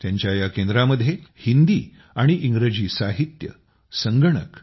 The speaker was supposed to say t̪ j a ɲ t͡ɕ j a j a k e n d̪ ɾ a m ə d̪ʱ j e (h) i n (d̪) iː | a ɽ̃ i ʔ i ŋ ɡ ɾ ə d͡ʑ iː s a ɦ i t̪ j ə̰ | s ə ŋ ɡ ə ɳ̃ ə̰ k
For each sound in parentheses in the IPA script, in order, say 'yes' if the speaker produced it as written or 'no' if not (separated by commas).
yes, yes